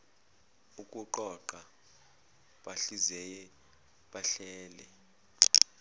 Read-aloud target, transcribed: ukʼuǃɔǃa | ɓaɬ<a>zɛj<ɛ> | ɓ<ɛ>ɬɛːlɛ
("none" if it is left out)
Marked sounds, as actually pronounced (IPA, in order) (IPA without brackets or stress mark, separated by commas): i, ɛ, a